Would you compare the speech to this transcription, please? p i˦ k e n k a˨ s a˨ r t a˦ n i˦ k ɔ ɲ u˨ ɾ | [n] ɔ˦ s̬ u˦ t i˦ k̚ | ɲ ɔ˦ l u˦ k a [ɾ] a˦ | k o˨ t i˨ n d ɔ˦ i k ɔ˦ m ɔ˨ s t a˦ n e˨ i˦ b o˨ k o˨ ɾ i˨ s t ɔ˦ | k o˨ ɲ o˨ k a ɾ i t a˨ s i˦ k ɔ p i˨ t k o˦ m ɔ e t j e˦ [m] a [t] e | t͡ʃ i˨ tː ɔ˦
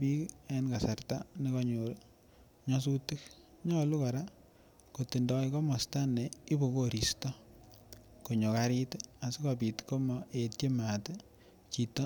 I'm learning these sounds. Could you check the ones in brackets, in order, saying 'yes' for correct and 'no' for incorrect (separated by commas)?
no, yes, yes, yes